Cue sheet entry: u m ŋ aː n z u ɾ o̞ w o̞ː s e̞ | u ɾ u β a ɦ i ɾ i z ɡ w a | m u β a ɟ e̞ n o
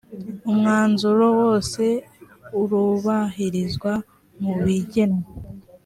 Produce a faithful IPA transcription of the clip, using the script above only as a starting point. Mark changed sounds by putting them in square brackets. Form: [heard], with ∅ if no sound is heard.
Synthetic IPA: u m ŋ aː n z u ɾ o̞ w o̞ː s e̞ | u ɾ u β a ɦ i ɾ i z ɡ w a | m u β [i] ɟ e̞ n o